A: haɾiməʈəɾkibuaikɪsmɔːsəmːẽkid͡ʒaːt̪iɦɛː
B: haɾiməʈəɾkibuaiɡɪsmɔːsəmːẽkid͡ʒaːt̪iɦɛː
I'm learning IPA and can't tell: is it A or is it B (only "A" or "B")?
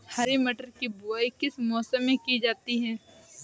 A